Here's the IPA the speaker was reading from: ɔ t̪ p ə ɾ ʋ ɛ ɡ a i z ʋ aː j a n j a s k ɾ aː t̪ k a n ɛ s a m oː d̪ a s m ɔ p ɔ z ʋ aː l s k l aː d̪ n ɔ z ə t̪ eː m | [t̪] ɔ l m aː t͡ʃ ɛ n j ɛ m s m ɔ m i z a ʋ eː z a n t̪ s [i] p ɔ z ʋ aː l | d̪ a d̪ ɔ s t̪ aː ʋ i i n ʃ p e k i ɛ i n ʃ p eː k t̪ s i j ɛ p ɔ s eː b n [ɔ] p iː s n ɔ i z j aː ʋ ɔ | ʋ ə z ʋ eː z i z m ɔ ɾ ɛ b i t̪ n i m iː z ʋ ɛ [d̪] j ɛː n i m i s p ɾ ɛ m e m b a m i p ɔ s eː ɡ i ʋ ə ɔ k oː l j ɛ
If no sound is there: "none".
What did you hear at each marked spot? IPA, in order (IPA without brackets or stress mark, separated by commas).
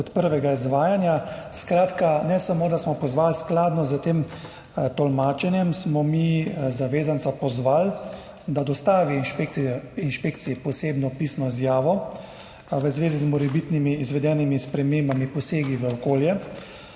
t̪, a, ɔ, d̪